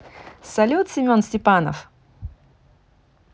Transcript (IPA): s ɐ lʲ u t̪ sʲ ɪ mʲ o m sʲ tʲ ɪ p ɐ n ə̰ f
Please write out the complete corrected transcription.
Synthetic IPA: s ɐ lʲ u t̪ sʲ ɪ mʲ o n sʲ tʲ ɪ p a n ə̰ f